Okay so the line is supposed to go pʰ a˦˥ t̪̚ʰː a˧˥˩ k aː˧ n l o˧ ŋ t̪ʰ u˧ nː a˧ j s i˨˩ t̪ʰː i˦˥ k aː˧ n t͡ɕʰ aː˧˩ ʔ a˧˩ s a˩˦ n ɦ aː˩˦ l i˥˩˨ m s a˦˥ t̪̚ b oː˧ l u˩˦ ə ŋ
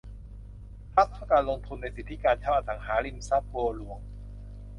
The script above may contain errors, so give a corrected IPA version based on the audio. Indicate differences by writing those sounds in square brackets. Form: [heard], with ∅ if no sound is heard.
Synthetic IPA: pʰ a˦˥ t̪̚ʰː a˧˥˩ k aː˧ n l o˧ ŋ t̪ʰ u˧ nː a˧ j s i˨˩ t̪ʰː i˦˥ k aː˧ n t͡ɕʰ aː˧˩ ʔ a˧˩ s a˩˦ [ŋ] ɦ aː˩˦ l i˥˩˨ m s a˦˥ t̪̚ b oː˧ l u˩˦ ə ŋ